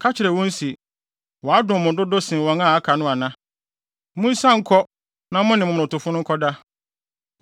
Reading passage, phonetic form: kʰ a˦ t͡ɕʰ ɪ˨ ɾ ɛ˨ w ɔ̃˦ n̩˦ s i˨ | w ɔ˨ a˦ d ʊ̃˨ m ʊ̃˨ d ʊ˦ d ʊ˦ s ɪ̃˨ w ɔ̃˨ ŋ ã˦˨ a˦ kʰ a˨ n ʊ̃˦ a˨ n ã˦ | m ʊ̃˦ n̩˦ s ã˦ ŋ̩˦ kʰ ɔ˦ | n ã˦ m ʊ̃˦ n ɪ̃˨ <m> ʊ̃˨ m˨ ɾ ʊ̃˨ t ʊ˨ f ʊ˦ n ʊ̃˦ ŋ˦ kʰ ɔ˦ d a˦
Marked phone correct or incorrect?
correct